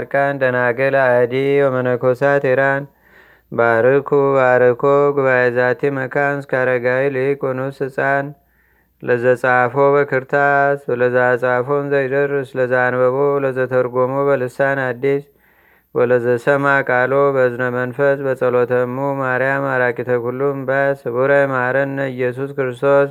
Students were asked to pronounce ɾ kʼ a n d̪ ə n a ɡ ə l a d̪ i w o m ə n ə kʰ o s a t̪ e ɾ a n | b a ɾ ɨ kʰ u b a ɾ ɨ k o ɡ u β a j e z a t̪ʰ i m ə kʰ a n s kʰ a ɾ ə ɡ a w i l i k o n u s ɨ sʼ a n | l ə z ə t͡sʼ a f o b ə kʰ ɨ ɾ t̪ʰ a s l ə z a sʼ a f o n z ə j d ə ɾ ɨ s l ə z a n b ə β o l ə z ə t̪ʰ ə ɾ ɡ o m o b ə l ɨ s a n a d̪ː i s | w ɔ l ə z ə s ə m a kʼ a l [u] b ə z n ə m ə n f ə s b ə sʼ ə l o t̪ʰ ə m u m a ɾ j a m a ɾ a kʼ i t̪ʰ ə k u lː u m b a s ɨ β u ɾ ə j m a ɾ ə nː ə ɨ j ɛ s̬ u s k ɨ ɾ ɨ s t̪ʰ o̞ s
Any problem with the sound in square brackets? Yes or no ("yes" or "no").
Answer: yes